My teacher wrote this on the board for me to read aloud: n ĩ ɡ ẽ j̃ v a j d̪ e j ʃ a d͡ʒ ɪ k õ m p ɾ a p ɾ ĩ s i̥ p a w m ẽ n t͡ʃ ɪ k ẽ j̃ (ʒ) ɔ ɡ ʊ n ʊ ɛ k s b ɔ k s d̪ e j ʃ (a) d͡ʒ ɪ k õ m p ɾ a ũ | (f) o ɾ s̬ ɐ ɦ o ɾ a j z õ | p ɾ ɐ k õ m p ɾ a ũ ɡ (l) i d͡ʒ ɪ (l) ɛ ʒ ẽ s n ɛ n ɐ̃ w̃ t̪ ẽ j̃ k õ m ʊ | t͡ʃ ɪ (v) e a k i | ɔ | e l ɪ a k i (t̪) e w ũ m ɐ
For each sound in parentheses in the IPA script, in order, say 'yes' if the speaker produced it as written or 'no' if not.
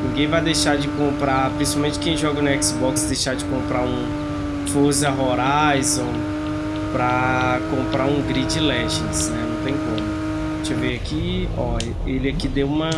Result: yes, yes, yes, no, yes, yes, no

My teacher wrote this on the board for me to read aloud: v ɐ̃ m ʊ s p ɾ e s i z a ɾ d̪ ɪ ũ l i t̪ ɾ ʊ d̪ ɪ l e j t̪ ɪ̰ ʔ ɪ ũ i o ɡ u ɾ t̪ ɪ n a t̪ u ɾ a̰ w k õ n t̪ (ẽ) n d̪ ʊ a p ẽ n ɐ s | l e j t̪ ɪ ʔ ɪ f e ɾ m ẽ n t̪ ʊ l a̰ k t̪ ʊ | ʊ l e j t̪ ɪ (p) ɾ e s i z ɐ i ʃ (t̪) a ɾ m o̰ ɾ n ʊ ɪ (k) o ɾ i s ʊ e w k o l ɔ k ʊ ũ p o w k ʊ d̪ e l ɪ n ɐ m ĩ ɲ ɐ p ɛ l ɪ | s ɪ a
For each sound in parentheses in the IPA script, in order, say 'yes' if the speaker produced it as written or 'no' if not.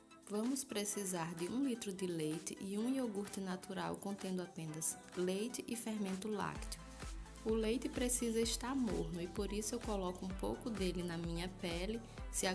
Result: yes, yes, yes, no

